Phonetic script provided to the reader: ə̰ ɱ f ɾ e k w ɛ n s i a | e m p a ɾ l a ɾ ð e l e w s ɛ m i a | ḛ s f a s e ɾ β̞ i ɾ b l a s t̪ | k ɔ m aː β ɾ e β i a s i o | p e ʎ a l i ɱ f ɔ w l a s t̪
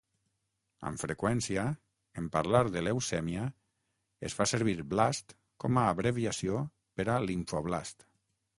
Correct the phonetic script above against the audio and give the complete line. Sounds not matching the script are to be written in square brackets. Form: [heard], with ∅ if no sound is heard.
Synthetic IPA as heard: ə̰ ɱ f ɾ e k w ɛ n s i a | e m p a ɾ l a ɾ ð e l e w s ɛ m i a | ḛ s f a s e ɾ β̞ i ɾ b l a s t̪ | k ɔ m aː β ɾ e β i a s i o | p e [ɾ] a l i ɱ f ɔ [β] l a s t̪